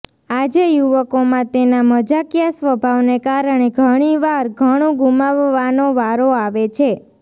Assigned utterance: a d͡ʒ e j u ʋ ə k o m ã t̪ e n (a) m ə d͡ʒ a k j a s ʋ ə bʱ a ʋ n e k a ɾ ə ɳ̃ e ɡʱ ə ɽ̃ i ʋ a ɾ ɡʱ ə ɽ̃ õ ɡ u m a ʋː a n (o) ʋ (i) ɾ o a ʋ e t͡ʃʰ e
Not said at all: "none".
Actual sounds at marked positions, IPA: a, o, a

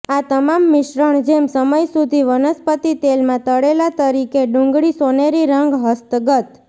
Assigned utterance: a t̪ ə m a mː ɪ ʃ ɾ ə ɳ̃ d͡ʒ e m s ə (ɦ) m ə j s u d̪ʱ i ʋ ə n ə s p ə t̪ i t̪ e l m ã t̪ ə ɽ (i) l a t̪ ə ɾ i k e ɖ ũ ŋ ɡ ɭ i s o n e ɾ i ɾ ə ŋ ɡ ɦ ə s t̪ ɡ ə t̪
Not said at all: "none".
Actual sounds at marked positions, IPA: none, e

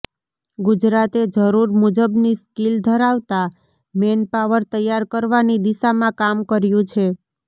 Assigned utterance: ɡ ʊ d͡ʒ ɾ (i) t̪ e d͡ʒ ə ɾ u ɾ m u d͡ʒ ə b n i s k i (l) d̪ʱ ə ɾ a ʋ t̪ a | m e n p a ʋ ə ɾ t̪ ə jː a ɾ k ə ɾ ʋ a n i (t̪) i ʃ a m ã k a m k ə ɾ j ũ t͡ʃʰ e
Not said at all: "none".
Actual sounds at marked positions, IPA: a, l, d̪

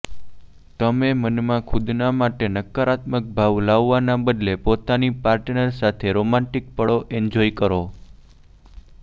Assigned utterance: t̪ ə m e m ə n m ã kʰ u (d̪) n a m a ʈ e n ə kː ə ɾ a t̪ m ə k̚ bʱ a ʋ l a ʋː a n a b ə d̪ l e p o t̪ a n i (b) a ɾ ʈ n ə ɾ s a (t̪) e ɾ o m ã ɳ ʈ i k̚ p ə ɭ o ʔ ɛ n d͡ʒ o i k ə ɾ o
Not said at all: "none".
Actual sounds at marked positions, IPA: d̪, p, t̪ʰ

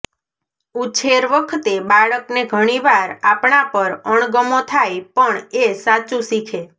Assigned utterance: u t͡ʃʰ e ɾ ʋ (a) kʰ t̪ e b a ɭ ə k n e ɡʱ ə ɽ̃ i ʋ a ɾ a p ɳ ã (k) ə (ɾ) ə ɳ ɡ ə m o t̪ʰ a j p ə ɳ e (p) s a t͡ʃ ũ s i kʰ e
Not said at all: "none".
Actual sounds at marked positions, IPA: ə, p, ɾ, none

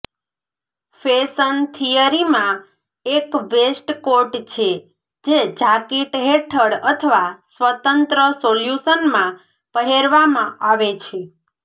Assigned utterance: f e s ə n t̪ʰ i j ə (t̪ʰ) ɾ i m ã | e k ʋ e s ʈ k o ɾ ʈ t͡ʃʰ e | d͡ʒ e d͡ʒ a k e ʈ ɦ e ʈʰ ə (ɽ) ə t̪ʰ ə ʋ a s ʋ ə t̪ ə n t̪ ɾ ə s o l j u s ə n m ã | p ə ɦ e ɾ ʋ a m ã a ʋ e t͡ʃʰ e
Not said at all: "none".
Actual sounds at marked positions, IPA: none, ɽ

